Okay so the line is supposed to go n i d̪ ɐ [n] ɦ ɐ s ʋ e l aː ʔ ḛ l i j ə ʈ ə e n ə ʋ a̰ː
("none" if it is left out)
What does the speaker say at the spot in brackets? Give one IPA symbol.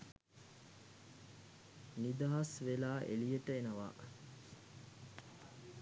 none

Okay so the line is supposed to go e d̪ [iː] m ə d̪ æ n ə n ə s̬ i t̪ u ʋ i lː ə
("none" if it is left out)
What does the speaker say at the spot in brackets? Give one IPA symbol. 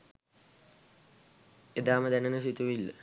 aː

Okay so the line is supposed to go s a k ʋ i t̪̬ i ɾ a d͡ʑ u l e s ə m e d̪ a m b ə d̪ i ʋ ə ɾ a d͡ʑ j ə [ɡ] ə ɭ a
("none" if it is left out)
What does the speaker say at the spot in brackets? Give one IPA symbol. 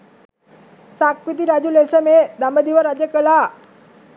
k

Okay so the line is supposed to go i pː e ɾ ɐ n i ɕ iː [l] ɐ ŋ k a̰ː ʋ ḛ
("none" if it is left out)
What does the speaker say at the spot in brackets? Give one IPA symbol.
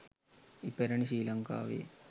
l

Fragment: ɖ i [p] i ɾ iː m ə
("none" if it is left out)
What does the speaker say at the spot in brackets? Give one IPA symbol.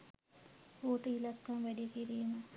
k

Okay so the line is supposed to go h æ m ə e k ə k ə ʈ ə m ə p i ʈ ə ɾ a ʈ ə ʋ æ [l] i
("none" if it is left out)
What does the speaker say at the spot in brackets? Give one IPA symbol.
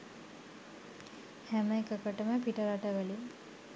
l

